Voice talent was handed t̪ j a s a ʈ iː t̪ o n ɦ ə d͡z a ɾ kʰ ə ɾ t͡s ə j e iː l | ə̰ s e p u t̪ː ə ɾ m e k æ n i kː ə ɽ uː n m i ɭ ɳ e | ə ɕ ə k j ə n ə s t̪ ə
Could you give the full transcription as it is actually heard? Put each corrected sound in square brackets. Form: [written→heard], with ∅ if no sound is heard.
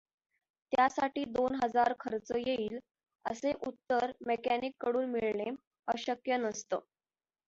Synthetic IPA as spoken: t̪ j a s a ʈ iː [t̪→d̪] o n ɦ ə d͡z a ɾ kʰ ə ɾ t͡s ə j e iː l | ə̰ s e [p→ʔ] u t̪ː ə ɾ m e k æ n i kː ə ɽ uː n m i ɭ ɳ e | ə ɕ ə k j ə n ə s t̪ ə